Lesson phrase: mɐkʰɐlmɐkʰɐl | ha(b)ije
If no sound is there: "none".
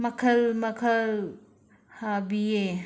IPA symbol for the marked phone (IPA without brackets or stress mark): b